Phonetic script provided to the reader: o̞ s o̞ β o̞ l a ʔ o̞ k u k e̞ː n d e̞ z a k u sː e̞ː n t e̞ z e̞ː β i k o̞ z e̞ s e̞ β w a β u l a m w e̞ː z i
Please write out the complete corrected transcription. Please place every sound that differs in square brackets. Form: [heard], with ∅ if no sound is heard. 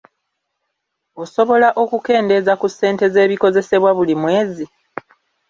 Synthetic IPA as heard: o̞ s o̞ β o̞ l a ʔ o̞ k u k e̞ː n d e̞ z a k u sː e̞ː n t e̞ z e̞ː β i k o̞ z e̞ s e̞ β w a β u l [i] m w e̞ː z i